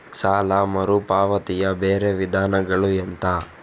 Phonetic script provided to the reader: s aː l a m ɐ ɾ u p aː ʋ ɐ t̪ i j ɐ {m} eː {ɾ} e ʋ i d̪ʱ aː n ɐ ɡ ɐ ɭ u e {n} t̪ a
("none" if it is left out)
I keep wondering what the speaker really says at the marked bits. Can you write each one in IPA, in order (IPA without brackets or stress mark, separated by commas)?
b, ɾ, n